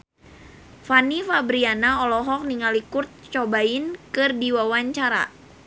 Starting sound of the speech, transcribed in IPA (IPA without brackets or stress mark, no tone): f